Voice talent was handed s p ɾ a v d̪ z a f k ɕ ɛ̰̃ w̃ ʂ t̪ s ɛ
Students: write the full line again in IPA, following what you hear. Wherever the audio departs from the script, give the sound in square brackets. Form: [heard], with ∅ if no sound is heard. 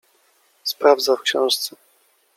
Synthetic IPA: s p ɾ a v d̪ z a f k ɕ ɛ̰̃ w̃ ʂ t̪ s ɛ